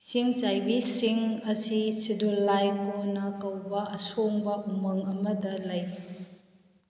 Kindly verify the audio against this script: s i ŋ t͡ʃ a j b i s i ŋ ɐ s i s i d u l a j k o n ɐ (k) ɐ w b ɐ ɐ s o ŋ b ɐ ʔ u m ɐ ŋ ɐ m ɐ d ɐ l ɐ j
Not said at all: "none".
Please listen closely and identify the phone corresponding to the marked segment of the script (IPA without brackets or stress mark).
k